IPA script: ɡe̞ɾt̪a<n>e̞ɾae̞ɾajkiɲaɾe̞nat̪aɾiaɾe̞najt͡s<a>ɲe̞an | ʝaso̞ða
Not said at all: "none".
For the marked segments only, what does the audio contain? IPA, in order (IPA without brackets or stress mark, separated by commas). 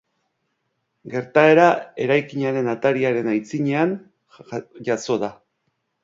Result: none, i